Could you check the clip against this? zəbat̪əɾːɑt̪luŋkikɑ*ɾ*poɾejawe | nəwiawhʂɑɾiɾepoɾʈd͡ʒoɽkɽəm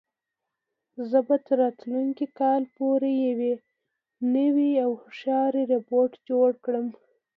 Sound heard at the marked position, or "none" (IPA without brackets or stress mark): l